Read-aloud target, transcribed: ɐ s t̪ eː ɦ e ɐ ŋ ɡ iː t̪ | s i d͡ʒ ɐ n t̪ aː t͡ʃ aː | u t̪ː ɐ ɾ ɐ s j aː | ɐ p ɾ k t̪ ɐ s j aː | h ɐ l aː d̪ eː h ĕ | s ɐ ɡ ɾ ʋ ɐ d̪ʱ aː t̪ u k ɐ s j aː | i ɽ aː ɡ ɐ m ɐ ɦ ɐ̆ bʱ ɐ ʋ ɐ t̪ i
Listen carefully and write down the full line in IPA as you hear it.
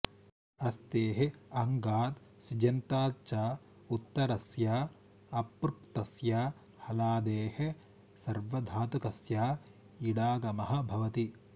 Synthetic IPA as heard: ɐ s t̪ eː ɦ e ɐ ŋ ɡ aː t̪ | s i d͡ʒ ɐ n t̪ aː t͡ʃ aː | u t̪ː ɐ ɾ ɐ s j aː | ɐ p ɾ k t̪ ɐ s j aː | h ɐ l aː d̪ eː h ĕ | s ɐ ɾ ʋ ɐ d̪ʱ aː t̪ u k ɐ s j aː | i ɽ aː ɡ ɐ m ɐ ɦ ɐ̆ bʱ ɐ ʋ ɐ t̪ i